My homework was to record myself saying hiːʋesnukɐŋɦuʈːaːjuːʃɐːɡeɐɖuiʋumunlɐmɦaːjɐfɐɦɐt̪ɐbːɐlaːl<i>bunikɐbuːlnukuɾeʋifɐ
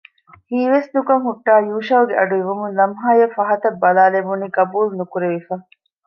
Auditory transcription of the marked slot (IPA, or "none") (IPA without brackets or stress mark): e